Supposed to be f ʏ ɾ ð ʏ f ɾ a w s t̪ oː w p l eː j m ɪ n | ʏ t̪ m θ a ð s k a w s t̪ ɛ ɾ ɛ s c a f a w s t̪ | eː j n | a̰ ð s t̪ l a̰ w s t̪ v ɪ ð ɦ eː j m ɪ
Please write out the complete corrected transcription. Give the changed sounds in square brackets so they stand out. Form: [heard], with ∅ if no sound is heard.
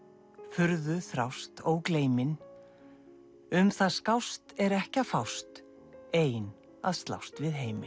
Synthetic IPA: f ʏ ɾ ð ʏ [θ] ɾ a w s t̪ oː w [k] l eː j m ɪ n | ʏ [∅] m θ a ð s k a w s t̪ ɛ ɾ ɛ [h] c a f a w s t̪ | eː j n | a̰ ð s t̪ l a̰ w s t̪ v ɪ ð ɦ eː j m ɪ